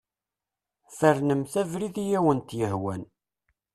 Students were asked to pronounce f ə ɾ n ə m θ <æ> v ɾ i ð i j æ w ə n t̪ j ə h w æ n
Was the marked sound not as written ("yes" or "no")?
no